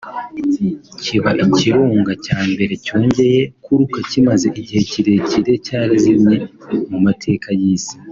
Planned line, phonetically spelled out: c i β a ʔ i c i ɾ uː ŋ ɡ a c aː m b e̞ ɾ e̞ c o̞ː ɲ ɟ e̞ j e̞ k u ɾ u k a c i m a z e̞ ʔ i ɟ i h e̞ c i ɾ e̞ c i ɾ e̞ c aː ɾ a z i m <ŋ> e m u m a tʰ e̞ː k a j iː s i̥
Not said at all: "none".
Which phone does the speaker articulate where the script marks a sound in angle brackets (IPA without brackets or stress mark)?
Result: ɲ